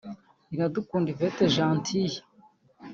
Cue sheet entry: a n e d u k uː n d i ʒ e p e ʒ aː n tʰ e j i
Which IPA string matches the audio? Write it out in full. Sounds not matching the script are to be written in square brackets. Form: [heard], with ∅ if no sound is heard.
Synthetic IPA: [i] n [a] d u k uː n d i [v] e [t] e ʒ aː n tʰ [i] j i